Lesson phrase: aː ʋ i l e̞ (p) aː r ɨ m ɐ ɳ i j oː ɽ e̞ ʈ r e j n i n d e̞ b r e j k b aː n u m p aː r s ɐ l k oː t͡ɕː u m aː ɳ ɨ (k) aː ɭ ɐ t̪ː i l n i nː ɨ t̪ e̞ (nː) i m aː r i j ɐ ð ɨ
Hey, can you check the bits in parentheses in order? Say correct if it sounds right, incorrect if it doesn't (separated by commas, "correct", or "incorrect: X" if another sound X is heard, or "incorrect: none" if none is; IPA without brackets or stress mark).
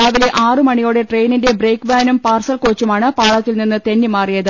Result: incorrect: ʔ, incorrect: p, correct